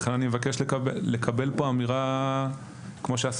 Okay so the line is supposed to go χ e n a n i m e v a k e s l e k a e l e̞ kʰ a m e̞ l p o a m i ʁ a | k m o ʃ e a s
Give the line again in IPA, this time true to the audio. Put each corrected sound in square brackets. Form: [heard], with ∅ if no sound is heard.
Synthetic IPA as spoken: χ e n a n i m e v a k e [ʃ] l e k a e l e̞ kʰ a [b] e̞ l p o a m i ʁ a | k m o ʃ e a s

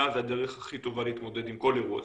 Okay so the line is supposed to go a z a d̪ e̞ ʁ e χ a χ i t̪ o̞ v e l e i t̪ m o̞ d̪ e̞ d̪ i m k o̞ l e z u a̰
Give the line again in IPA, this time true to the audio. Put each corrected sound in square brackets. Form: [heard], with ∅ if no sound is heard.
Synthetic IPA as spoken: a z a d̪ e̞ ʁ e χ a χ i t̪ o̞ v [a] l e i t̪ m o̞ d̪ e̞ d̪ i m k o̞ l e [ʁ] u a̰

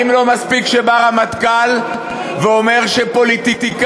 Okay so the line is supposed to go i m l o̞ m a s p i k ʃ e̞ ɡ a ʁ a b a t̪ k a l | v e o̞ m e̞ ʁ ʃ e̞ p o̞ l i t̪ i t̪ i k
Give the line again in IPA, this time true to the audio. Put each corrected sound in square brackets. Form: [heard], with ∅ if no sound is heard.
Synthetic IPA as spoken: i m l o̞ m a s p i k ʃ e̞ [b] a ʁ a [m] a t̪ k a l | v e o̞ m e̞ ʁ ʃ e̞ p o̞ l i t̪ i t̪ i k

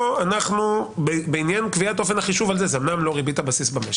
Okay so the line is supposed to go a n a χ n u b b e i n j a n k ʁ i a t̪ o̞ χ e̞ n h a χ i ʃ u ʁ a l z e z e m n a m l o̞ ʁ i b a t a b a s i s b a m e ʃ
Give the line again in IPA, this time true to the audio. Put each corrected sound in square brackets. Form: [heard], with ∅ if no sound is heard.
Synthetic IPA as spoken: a n a χ n u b b e i n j a n k [v] i a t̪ o̞ [f] e̞ n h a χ i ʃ u [v] a l z e z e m n a m l o̞ ʁ i b [i] t a b a s i s b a m e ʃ

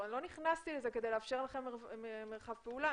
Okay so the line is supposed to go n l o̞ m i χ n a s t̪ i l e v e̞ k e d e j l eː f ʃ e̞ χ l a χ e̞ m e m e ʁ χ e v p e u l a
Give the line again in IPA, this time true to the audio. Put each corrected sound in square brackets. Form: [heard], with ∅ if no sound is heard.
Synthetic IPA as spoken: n l o̞ [n] i χ n a s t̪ i l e [z] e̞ k e d e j l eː f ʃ e̞ [ʁ] l a χ e̞ m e m e ʁ χ [a] v p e u l a

